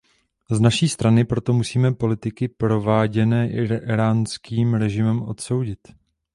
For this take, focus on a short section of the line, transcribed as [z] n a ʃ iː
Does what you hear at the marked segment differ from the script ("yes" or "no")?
no